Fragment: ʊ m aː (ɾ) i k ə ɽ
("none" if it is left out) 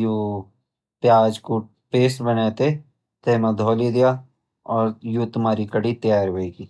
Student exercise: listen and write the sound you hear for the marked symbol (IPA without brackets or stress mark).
ɾ